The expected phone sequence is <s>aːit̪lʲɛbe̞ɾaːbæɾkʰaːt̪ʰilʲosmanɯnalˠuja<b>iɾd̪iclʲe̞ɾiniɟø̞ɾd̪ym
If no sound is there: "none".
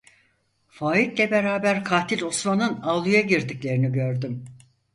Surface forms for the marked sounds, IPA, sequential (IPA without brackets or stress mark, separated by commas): f, ɟ